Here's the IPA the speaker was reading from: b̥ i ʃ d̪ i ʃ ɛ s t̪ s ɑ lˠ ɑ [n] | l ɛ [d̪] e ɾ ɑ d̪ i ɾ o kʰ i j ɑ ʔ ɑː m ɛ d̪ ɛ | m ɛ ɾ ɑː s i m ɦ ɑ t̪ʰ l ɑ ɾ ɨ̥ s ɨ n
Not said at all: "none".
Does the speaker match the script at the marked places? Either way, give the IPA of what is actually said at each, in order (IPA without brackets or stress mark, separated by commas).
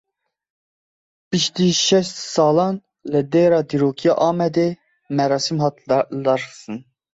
n, d̪